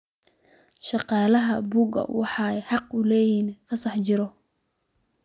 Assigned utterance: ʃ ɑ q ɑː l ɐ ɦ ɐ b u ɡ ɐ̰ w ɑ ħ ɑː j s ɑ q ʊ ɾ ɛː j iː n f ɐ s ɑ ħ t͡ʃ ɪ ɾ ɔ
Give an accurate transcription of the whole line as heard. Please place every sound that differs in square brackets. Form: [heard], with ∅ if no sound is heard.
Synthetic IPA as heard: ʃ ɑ q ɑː l ɐ ɦ ɐ b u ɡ ɐ̰ w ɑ ħ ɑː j [ħ] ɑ q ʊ [l] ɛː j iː n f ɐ s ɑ ħ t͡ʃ ɪ ɾ ɔ